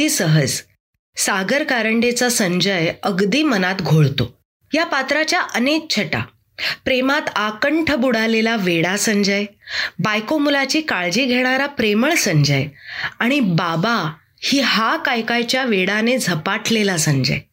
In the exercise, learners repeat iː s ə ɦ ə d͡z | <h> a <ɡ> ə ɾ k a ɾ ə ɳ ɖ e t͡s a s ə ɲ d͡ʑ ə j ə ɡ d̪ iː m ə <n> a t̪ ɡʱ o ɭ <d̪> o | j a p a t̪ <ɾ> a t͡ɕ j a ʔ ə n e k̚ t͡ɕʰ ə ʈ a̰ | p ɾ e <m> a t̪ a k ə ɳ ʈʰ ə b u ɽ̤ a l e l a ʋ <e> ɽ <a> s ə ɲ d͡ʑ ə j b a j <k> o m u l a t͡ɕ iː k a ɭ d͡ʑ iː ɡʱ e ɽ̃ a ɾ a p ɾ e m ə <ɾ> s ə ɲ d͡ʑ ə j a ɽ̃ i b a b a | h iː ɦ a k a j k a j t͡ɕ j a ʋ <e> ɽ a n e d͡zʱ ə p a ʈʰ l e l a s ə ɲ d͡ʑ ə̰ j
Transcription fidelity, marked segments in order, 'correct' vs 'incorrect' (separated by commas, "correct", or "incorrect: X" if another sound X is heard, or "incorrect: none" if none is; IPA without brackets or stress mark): incorrect: s, correct, correct, incorrect: t̪, correct, correct, correct, correct, correct, incorrect: ɭ, correct